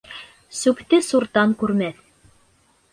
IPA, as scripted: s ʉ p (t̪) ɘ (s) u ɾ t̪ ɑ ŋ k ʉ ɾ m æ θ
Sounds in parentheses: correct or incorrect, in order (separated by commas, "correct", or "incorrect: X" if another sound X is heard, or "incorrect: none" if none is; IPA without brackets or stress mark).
correct, correct